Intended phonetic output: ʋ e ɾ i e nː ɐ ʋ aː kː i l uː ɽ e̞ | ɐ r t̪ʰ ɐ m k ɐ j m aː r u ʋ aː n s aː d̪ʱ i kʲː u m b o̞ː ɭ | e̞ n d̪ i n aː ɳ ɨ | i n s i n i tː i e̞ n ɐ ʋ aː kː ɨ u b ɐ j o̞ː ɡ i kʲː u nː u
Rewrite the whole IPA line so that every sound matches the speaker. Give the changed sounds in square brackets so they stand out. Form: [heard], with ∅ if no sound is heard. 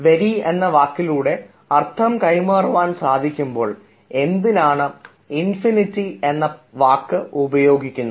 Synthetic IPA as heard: ʋ e ɾ i e nː ɐ ʋ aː kː i l uː ɽ e̞ | ɐ r t̪ʰ ɐ m k ɐ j m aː r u ʋ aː n s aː d̪ʱ i kʲː u m b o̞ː ɭ | e̞ n d̪ i n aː ɳ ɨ | i n [f] i n i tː i e̞ [nː] ɐ ʋ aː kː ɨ u b ɐ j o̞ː ɡ i kʲː u nː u